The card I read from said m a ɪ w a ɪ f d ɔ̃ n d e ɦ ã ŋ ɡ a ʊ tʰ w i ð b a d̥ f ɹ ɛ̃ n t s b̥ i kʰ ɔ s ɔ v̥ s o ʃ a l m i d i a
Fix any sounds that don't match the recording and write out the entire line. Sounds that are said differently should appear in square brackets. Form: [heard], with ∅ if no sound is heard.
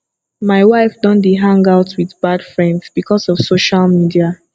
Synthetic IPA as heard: m a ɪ w a ɪ f d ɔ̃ n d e ɦ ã ŋ ɡ a ʊ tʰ w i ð b a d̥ f ɹ ɛ̃ n [d] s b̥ i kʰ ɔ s ɔ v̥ s o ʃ a l m i d i a